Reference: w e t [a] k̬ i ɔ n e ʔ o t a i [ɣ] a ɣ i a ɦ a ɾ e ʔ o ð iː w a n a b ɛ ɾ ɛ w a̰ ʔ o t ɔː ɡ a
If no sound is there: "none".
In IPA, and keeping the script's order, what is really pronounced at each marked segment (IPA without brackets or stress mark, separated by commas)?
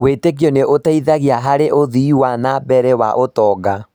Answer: e, ð